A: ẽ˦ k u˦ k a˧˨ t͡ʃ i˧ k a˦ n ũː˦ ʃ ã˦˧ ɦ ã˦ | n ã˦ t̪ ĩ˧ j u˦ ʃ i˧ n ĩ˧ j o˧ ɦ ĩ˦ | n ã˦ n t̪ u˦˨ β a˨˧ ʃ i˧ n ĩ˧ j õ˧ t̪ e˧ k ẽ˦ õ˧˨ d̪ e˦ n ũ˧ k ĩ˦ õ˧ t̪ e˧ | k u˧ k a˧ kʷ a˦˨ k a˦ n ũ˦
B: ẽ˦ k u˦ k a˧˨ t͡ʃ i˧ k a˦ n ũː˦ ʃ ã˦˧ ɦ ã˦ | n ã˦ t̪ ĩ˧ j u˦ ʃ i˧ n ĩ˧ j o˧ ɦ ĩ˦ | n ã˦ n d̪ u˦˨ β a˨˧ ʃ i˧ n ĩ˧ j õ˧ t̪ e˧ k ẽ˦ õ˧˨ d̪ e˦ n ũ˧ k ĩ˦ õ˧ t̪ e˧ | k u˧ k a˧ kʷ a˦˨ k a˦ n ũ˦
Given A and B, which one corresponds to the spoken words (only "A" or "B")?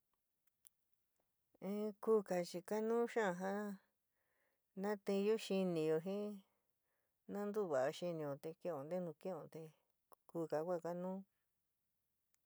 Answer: B